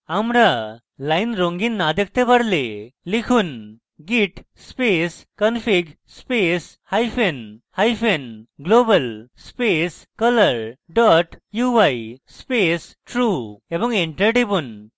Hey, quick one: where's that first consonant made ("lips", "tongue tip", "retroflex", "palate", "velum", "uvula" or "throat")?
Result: lips